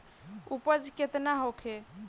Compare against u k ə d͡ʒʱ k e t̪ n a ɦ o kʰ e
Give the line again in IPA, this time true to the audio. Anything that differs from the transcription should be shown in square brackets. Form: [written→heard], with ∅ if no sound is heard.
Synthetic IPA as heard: u [k→p] ə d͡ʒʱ k e t̪ n a ɦ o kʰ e